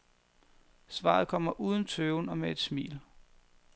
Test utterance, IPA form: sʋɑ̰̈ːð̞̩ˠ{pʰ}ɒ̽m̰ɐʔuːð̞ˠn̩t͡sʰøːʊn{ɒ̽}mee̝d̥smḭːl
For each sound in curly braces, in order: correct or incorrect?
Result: incorrect: kʰ, correct

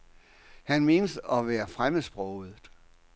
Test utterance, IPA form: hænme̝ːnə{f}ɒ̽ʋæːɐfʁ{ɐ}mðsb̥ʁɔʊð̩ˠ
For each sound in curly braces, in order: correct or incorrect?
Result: incorrect: s, incorrect: a

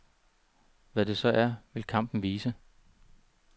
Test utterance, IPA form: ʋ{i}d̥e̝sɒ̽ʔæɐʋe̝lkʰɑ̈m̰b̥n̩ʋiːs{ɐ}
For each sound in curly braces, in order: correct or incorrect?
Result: incorrect: æ, incorrect: ə

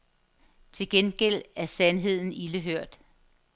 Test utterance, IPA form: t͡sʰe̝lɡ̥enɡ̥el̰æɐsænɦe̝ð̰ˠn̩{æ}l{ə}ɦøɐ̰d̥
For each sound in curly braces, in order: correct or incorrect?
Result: incorrect: i, correct

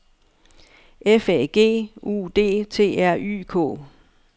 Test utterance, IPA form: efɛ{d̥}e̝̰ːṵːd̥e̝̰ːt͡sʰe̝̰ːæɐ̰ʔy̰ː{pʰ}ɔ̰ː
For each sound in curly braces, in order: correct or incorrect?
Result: incorrect: ɡ̥, incorrect: kʰ

